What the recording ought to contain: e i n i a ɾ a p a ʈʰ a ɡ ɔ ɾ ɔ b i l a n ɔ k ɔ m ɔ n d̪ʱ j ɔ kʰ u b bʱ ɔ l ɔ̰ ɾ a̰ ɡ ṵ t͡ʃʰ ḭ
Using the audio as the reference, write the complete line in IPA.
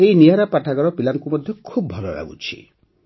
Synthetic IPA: e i n i a ɾ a p a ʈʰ a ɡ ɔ ɾ ɔ p i l a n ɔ k u m ɔ d̪ʱ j ɔ kʰ u b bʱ ɔ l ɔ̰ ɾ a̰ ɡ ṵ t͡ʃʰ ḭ